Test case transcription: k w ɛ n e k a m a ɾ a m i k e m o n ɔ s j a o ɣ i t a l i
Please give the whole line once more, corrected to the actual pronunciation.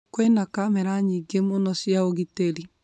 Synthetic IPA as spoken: k w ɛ n a k a m ɛ ɾ a ɲ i ɡ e m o n ɔ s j a o ɣ i t e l i

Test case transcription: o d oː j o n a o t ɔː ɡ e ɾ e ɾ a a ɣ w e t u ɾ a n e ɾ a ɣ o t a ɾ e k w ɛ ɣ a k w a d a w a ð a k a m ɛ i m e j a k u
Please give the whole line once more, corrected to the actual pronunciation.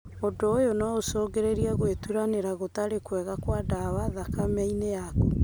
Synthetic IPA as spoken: o d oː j o n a o s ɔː ɡ e ɾ e ɾ i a ɣ w e t u ɾ a n e ɾ a ɣ o t a ɾ e k w ɛ ɣ a k w a d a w a ð a k a m ɛ i n e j a k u

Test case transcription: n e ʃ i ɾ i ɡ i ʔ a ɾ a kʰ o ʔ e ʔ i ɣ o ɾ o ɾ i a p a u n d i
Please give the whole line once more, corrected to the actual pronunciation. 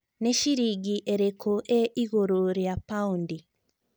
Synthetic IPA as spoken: n e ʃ i ɾ i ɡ i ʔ e ɾ e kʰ o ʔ e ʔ i ɣ o ɾ o ɾ j a p a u n d i

